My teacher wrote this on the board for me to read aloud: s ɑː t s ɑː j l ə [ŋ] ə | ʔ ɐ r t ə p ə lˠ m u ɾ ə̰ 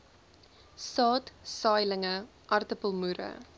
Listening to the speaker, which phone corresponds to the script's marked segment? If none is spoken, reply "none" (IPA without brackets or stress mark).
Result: ŋ